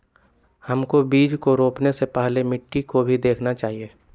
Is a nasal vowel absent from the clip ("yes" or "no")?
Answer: yes